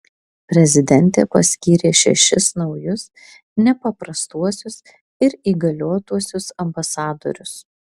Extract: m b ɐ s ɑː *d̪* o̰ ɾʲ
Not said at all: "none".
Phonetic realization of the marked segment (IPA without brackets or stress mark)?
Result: d̪